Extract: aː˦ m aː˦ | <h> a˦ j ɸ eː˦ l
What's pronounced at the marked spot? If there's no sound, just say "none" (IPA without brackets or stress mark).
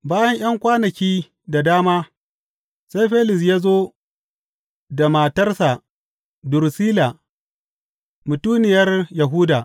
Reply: s